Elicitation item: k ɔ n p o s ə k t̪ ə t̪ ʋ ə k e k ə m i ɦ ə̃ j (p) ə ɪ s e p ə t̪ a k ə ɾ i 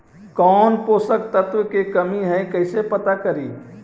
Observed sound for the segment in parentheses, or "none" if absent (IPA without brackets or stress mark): k